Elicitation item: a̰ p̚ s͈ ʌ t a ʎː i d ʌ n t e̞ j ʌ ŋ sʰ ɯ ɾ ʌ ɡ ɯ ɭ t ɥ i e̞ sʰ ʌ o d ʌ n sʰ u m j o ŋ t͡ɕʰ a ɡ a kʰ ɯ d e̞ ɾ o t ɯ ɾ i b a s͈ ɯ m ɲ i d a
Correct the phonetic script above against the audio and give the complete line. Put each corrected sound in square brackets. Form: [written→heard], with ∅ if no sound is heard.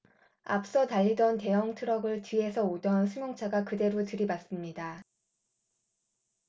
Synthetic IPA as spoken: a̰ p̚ s͈ ʌ t a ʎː i d ʌ n t e̞ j ʌ ŋ [sʰ→tʰ] ɯ ɾ ʌ ɡ ɯ ɭ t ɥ i e̞ sʰ ʌ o d ʌ n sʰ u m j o ŋ t͡ɕʰ a ɡ a [kʰ→k] ɯ d e̞ ɾ o t ɯ ɾ i b a s͈ ɯ m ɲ i d a